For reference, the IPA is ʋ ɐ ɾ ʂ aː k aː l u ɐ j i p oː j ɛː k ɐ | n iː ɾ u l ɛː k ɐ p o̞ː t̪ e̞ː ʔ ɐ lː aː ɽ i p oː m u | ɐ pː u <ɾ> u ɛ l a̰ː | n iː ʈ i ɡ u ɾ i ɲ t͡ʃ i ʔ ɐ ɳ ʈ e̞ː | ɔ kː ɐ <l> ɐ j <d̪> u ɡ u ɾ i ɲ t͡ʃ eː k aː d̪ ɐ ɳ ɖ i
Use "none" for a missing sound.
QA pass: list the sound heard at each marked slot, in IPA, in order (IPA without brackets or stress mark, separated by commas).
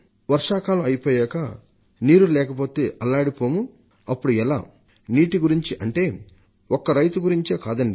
ɽ, ɾ, t̪